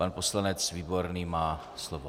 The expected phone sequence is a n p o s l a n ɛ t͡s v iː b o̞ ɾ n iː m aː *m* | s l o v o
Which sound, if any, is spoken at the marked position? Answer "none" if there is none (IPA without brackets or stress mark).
none